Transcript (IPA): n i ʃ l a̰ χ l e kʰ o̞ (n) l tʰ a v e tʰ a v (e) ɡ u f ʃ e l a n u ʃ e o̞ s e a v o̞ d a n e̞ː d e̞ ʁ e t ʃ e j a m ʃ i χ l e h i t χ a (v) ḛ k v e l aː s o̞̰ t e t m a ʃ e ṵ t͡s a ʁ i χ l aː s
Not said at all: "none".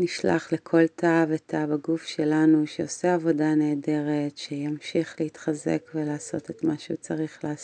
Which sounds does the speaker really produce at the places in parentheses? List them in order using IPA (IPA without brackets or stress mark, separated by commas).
none, a, z